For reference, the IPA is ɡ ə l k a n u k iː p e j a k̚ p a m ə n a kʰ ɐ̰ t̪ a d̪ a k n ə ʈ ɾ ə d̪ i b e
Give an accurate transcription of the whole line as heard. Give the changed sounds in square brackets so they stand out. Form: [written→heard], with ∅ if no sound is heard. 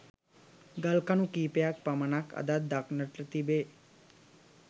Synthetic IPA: ɡ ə l k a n u k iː p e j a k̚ p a m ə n a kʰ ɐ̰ [t̪→d̪] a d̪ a k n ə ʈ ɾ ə [d̪→t̪] i b e